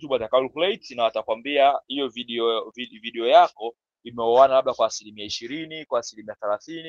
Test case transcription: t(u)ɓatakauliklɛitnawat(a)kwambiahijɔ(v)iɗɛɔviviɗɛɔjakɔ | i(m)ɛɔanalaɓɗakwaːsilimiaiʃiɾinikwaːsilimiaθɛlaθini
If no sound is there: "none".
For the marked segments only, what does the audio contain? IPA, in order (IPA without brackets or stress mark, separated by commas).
u, a, v, m